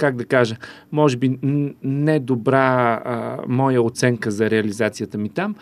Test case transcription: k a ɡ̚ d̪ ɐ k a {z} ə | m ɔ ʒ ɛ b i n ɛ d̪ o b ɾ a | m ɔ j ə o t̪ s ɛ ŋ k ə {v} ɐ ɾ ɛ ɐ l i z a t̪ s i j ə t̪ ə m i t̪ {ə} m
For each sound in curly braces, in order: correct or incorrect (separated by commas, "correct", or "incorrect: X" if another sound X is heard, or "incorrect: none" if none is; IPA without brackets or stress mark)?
incorrect: ʒ, incorrect: z, incorrect: a